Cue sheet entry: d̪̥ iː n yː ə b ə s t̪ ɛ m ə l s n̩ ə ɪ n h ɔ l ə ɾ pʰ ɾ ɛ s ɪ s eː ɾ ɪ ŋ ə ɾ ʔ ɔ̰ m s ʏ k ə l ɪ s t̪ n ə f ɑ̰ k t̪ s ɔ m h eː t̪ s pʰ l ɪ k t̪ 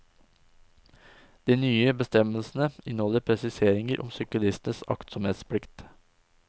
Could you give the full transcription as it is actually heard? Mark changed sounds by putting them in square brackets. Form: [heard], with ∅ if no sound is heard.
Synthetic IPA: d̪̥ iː n yː ə b ə s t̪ ɛ m ə l s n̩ ə ɪ n h ɔ l ə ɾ pʰ ɾ ɛ s ɪ s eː ɾ ɪ ŋ ə ɾ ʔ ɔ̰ m s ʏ k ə l ɪ s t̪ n ə [s] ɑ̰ k t̪ s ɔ m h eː t̪ s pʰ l ɪ k t̪